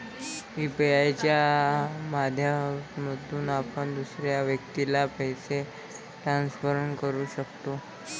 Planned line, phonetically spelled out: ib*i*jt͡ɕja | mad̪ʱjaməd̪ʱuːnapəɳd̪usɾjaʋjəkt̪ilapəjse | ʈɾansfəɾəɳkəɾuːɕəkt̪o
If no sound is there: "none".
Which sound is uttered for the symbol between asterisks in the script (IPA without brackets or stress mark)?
a